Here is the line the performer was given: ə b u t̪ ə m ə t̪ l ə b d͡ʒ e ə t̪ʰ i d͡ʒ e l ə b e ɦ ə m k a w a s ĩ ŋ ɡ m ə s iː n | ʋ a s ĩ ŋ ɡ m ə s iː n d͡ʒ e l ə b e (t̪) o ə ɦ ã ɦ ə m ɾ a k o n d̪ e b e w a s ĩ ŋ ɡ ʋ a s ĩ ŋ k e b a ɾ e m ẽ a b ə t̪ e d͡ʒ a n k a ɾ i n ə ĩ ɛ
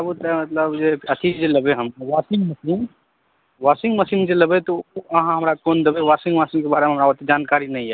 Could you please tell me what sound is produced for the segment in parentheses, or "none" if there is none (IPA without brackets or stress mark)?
t̪